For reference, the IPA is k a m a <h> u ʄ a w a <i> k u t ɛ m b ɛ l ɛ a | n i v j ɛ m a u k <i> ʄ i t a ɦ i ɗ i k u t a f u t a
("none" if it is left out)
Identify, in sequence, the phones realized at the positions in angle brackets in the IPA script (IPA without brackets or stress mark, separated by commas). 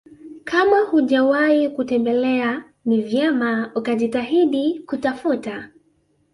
h, i, a